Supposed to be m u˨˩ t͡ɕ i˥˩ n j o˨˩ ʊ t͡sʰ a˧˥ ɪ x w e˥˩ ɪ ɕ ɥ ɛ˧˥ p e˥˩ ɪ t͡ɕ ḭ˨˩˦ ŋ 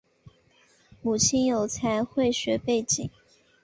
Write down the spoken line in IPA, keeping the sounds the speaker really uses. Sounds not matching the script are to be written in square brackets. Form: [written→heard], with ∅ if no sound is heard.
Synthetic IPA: m u˨˩ [t͡ɕ→t͡ɕʰ] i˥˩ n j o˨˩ ʊ t͡sʰ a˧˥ ɪ x w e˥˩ ɪ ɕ ɥ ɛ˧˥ p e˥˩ ɪ t͡ɕ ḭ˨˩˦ ŋ

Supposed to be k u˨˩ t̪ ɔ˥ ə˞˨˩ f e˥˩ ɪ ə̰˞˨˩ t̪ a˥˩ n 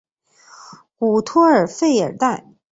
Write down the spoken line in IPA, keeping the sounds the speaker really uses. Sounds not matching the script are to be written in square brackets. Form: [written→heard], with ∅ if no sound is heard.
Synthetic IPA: k u˨˩ [t̪→t̪ʰ] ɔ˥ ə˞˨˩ f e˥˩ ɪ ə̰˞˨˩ t̪ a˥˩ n

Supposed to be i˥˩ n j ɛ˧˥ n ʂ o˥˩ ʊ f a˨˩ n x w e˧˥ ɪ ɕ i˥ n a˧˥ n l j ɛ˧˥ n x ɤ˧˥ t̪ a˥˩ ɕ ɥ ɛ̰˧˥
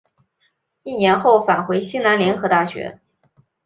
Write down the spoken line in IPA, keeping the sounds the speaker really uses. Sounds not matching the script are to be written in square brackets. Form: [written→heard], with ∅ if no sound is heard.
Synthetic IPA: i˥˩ n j ɛ˧˥ n [ʂ→x] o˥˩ ʊ f a˨˩ n x w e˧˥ ɪ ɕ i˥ n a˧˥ n l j ɛ˧˥ n x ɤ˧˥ t̪ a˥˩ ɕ ɥ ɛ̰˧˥

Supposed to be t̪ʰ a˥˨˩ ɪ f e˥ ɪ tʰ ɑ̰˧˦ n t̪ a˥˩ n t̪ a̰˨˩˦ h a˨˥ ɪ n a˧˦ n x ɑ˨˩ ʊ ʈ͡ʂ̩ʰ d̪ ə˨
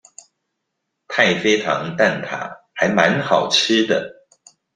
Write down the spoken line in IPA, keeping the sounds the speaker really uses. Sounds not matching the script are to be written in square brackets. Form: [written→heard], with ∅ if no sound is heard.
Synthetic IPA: t̪ʰ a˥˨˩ ɪ f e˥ ɪ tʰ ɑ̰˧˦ [n→ŋ] t̪ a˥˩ n [t̪→t̪ʰ] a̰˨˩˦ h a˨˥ ɪ [n→m] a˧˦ n x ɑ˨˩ ʊ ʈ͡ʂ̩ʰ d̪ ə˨

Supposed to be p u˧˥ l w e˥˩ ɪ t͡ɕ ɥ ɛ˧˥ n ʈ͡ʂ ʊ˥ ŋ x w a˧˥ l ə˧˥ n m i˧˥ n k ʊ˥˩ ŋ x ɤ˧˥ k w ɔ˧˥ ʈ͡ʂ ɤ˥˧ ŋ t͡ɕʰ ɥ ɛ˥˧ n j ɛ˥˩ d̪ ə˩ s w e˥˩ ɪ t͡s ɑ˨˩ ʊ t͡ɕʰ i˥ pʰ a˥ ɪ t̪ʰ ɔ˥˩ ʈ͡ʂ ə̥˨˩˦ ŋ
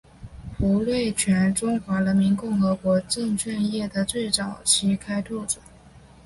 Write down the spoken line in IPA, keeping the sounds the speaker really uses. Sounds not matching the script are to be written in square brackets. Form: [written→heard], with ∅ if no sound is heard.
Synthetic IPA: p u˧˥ l w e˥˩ ɪ [t͡ɕ→t͡ɕʰ] ɥ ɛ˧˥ n ʈ͡ʂ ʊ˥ ŋ x w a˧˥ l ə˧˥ n m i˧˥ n k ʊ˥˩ ŋ x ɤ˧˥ k w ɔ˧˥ ʈ͡ʂ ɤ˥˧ ŋ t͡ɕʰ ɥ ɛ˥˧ n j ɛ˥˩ d̪ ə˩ [s→t͡s] w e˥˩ ɪ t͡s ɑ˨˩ ʊ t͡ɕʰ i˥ [pʰ→kʰ] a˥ ɪ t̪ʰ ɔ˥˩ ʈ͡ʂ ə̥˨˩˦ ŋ

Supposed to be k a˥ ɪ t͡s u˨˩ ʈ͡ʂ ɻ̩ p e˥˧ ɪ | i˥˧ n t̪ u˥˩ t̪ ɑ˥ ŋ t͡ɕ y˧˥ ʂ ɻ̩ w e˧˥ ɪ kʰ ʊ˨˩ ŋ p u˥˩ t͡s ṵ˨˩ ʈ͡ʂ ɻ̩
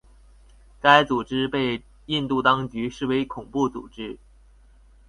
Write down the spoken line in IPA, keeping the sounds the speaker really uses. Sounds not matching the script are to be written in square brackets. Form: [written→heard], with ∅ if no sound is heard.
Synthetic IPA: k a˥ ɪ t͡s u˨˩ ʈ͡ʂ ɻ̩ p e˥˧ ɪ | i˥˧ n t̪ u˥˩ t̪ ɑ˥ ŋ t͡ɕ y˧˥ ʂ ɻ̩ w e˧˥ ɪ kʰ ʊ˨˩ ŋ p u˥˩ t͡s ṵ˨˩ ʈ͡ʂ ɻ̩

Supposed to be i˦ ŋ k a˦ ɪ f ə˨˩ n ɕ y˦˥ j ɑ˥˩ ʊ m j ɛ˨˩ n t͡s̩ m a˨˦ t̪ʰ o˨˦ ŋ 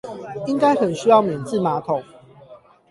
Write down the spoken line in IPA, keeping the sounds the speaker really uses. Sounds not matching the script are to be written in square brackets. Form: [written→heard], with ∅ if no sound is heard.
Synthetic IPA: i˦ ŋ k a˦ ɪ [f→x] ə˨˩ n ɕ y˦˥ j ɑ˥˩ ʊ m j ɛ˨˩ n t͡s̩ m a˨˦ t̪ʰ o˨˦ ŋ

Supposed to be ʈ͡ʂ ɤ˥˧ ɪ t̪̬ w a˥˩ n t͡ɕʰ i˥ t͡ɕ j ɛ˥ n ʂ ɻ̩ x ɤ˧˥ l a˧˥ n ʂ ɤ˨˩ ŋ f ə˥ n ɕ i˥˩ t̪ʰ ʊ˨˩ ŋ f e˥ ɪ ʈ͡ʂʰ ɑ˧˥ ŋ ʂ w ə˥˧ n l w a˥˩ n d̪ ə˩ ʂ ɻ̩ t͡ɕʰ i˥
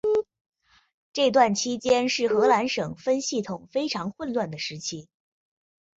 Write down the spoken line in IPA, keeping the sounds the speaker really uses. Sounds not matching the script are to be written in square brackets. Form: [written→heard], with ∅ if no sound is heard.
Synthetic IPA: ʈ͡ʂ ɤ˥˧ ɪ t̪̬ w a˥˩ n t͡ɕʰ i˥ t͡ɕ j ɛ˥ n ʂ ɻ̩ x ɤ˧˥ l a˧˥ n ʂ ɤ˨˩ ŋ f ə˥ n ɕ i˥˩ t̪ʰ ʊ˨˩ ŋ f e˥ ɪ ʈ͡ʂʰ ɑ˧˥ ŋ [ʂ→x] w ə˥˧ n l w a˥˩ n d̪ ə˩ ʂ ɻ̩ t͡ɕʰ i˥

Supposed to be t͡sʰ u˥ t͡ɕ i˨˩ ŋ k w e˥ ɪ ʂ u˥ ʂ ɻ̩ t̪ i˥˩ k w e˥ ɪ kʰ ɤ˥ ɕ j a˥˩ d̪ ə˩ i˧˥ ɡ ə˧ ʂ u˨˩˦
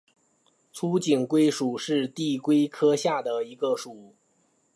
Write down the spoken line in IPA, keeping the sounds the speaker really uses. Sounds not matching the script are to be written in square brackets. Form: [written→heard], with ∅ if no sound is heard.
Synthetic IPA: t͡sʰ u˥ t͡ɕ i˨˩ ŋ k w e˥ ɪ ʂ [u˥→u˨˩] ʂ ɻ̩ t̪ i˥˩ k w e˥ ɪ kʰ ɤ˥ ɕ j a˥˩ d̪ ə˩ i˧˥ ɡ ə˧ ʂ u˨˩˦

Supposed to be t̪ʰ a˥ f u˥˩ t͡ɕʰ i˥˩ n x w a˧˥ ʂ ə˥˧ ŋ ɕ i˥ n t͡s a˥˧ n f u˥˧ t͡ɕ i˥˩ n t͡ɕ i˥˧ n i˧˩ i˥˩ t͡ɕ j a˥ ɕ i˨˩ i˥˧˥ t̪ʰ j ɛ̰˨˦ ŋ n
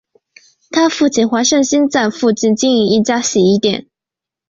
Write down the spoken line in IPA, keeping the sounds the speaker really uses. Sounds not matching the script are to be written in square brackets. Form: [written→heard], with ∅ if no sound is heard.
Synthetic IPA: t̪ʰ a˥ f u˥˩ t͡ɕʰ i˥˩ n x w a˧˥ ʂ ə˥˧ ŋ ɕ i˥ n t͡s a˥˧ n f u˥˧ t͡ɕ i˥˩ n t͡ɕ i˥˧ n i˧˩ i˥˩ t͡ɕ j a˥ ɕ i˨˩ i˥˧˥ [t̪ʰ→t̪] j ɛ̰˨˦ [ŋ→∅] n

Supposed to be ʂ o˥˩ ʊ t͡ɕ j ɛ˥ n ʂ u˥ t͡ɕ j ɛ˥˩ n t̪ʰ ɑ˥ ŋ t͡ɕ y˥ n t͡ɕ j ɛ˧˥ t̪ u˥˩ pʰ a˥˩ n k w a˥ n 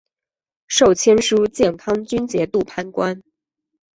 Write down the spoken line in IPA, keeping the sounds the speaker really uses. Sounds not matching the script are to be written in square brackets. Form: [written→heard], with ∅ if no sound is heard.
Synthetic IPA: ʂ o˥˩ ʊ [t͡ɕ→t͡ɕʰ] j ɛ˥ n ʂ u˥ t͡ɕ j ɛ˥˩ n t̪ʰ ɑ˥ ŋ t͡ɕ y˥ n t͡ɕ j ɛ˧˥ t̪ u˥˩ pʰ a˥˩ n k w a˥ n

